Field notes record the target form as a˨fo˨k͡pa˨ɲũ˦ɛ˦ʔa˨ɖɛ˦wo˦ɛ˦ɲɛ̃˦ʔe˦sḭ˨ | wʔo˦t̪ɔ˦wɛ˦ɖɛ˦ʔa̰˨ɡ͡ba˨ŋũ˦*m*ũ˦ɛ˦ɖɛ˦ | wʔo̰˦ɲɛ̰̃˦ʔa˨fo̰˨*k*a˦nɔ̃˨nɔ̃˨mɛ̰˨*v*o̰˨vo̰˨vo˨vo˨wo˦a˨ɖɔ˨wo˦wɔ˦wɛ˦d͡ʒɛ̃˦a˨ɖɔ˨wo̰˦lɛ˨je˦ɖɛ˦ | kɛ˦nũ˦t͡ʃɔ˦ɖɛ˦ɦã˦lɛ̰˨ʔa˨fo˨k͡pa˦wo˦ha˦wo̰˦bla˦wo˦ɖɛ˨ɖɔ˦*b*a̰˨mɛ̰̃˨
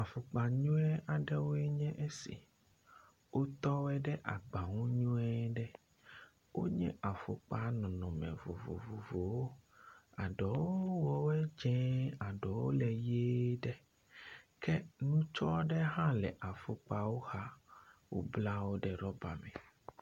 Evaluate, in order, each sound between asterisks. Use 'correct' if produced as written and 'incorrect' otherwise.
incorrect: ɲ, incorrect: k͡p, correct, correct

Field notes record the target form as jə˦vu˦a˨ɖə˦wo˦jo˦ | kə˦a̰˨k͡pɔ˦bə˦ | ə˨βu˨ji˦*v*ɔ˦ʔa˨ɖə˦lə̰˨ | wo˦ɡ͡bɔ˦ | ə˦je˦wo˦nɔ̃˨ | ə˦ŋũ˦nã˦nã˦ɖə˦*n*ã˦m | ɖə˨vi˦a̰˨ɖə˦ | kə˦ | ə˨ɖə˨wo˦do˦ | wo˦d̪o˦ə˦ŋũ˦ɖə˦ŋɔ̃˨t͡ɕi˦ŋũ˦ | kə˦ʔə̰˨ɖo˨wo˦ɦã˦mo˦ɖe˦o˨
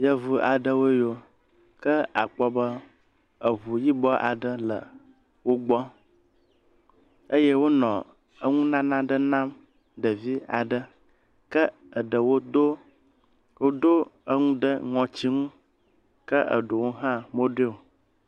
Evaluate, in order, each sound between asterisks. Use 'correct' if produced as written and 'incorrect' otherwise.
incorrect: b, correct

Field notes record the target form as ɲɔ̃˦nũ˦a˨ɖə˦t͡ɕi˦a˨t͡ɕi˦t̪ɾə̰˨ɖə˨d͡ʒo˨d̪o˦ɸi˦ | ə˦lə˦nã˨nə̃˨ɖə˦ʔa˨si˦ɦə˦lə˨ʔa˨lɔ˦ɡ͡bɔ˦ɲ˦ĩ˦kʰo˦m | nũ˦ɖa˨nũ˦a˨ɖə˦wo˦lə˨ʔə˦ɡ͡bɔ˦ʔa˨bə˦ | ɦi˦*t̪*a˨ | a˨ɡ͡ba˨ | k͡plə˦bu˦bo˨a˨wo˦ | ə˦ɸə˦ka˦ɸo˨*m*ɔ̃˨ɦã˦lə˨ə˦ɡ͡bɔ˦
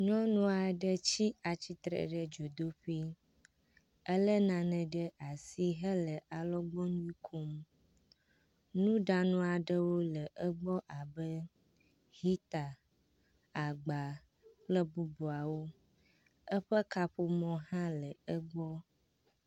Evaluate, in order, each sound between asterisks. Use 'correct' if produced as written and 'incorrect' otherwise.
correct, correct

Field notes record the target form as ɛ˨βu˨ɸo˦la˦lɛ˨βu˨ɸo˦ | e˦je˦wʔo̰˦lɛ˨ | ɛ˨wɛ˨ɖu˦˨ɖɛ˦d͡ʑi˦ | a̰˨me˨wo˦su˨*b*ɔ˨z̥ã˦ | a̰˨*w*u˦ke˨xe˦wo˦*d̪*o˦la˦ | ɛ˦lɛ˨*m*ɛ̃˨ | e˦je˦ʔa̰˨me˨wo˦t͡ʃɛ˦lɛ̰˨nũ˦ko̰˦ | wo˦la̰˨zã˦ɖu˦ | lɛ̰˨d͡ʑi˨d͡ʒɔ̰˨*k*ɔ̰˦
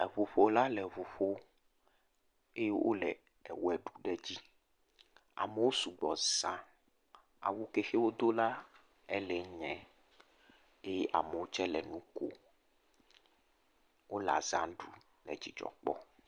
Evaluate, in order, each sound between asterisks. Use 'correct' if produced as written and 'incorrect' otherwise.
incorrect: ɡ͡b, correct, correct, incorrect: ɲ, incorrect: k͡p

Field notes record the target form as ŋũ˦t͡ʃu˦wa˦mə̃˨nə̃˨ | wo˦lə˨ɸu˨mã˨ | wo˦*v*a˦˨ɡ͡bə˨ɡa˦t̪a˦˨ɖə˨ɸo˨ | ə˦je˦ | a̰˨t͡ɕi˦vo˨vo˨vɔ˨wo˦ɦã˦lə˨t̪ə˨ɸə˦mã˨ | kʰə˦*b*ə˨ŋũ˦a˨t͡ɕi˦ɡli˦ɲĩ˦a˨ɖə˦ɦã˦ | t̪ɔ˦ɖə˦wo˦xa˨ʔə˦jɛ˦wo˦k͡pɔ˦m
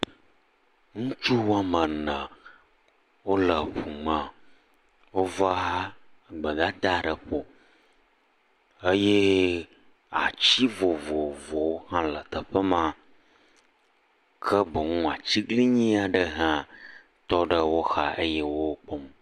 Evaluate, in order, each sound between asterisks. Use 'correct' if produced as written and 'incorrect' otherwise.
correct, correct

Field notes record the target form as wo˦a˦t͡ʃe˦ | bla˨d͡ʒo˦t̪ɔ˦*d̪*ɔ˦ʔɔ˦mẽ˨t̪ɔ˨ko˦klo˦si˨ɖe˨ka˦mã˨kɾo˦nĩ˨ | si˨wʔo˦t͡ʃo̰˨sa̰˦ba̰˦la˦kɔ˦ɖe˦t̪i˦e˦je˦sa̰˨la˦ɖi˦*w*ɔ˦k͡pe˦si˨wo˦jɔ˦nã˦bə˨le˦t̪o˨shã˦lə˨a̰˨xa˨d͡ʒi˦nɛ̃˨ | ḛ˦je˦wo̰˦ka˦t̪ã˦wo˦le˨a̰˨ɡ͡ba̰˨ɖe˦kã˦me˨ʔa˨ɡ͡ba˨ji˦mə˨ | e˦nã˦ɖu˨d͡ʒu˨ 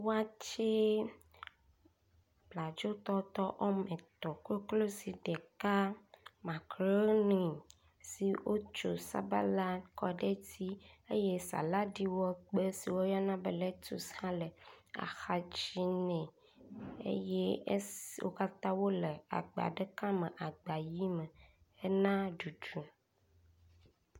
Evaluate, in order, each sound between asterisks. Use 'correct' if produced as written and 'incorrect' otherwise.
incorrect: t̪, correct

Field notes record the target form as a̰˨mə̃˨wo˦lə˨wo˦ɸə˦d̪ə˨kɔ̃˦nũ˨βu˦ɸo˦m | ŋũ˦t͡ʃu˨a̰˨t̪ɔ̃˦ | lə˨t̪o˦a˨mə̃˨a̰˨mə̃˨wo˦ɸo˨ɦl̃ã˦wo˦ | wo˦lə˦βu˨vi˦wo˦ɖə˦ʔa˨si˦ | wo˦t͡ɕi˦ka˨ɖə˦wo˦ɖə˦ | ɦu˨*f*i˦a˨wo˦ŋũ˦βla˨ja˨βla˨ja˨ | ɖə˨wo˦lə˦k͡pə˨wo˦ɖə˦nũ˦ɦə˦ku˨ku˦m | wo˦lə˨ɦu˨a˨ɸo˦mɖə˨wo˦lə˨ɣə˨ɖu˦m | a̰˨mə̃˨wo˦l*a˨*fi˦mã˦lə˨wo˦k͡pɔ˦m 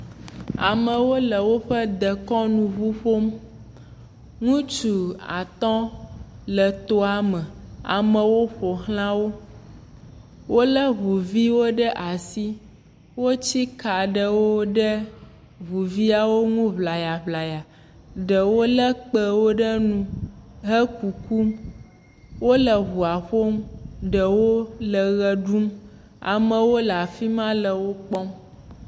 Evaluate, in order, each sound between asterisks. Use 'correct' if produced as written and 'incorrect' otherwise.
incorrect: v, correct

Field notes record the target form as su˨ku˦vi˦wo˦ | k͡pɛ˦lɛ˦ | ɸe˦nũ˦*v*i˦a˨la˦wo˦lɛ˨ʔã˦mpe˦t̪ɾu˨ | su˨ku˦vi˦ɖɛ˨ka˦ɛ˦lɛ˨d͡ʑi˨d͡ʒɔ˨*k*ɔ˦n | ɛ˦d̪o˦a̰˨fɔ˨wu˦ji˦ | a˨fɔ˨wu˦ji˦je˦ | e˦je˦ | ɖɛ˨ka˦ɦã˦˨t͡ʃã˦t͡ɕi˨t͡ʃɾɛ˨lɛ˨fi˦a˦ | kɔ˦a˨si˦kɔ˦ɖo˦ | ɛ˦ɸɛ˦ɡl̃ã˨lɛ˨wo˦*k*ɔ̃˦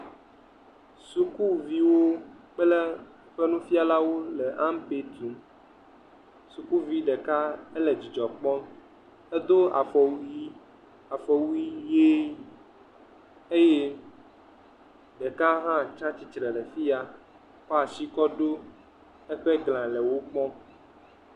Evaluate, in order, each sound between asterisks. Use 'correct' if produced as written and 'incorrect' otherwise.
incorrect: f, incorrect: k͡p, incorrect: k͡p

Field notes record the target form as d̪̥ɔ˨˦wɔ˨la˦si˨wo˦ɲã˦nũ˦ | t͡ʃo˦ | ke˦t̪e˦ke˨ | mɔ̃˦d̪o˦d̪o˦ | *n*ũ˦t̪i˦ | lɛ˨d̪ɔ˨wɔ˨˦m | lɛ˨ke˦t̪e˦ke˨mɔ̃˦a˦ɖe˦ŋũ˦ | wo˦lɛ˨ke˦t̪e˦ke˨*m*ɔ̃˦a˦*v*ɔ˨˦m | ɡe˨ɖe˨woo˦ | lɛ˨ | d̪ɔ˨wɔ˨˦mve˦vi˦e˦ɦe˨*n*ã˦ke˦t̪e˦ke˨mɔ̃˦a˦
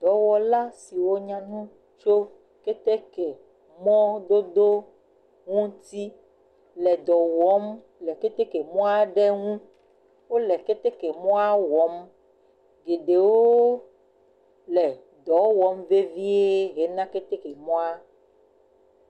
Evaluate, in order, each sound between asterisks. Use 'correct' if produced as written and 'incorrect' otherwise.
incorrect: ŋ, correct, incorrect: w, correct

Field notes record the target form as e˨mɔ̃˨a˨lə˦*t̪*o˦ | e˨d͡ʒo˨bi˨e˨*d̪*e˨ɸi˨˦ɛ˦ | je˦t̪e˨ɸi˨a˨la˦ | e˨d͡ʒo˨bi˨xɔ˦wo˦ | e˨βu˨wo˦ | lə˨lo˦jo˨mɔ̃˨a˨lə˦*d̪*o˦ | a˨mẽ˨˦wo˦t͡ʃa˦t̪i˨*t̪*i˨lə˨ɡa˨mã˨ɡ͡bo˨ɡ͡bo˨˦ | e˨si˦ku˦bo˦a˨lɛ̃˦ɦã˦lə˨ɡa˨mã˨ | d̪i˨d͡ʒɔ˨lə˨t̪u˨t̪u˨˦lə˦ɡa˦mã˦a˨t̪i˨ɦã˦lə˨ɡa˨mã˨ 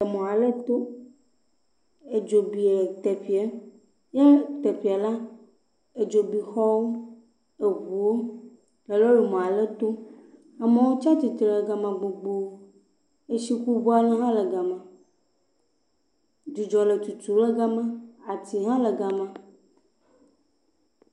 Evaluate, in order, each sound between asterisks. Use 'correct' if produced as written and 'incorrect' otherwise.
correct, incorrect: t̪, incorrect: t̪, correct

